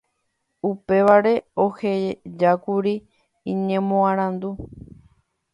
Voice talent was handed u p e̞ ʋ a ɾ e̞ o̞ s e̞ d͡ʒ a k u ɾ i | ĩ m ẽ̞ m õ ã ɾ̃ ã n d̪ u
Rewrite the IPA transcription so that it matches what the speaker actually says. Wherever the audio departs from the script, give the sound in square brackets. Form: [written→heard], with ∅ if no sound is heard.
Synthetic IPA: u p e̞ ʋ a ɾ e̞ o̞ [s→h] e̞ d͡ʒ a k u ɾ i | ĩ [m→ɲ] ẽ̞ m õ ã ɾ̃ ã n d̪ u

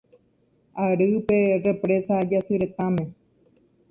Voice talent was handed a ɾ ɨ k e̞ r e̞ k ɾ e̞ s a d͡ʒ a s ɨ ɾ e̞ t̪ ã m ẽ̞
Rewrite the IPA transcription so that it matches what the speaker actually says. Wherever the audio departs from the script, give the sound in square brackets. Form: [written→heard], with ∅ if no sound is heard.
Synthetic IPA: a ɾ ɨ [k→p] e̞ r e̞ [k→p] ɾ e̞ s a d͡ʒ a s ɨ ɾ e̞ t̪ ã m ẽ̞

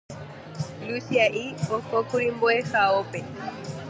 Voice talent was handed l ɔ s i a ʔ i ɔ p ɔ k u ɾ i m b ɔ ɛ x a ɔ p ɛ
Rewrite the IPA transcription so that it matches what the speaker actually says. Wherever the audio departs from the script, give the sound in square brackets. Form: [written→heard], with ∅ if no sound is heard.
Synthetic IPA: l [ɔ→u] s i a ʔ i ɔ [p→k] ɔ k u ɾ i m b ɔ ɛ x a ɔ p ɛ

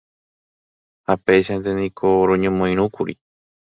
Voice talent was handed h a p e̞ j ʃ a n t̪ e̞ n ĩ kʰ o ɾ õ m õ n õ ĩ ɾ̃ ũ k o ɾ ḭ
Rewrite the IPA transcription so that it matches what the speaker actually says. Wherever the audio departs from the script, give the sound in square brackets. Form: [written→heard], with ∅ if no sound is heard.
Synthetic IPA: h a p e̞ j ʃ a n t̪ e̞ n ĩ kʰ o ɾ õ [m→ɲ] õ [n→m] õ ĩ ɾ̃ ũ k [o→u] ɾ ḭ

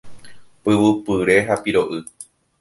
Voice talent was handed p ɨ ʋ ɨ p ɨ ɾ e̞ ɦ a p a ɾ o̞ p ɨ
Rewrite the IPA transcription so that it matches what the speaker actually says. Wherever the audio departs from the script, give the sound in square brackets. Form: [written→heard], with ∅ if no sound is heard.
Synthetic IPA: p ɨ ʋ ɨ p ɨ ɾ e̞ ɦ a p [a→i] ɾ o̞ [p→ʔ] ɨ

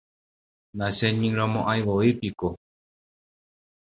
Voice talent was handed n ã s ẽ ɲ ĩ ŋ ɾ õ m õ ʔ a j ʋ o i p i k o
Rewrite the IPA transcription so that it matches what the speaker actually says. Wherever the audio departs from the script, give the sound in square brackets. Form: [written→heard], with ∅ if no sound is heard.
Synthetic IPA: n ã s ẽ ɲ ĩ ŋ ɾ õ m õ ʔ a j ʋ o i p i k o

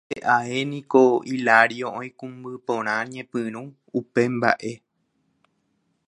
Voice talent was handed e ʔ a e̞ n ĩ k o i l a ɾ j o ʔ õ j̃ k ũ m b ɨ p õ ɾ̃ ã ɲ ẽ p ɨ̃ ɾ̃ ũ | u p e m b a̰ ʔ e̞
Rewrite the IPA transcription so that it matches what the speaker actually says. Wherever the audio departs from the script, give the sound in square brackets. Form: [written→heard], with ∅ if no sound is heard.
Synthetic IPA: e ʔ a e̞ n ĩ k o i l a ɾ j o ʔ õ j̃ k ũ m b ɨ p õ ɾ̃ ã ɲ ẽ p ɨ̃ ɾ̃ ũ | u p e m b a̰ ʔ e̞

